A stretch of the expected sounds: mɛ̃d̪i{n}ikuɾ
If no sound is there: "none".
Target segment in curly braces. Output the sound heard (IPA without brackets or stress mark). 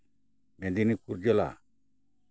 n